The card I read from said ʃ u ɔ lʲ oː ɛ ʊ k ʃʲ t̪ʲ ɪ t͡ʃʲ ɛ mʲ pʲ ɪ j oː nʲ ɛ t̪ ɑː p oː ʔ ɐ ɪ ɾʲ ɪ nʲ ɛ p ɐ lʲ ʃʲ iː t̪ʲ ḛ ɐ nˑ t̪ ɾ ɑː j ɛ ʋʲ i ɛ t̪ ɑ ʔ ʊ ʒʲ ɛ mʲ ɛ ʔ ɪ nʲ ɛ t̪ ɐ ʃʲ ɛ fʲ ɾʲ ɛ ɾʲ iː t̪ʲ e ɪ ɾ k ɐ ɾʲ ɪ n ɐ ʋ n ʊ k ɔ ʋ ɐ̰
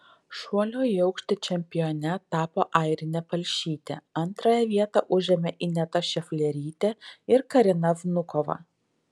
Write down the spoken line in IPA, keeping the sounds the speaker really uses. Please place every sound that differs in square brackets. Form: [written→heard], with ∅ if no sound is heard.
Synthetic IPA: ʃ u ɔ lʲ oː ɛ ʊ k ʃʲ t̪ʲ ɪ t͡ʃʲ ɛ mʲ pʲ ɪ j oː nʲ ɛ t̪ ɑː p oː ʔ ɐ ɪ ɾʲ ɪ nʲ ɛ p ɐ lʲ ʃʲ iː t̪ʲ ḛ ɐ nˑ t̪ ɾ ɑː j ɛ ʋʲ i ɛ t̪ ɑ ʔ ʊ ʒʲ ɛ mʲ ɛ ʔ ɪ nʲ ɛ t̪ ɐ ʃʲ ɛ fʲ [ɾʲ→lʲ] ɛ ɾʲ iː t̪ʲ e ɪ ɾ k ɐ ɾʲ ɪ n ɐ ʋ n ʊ k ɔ ʋ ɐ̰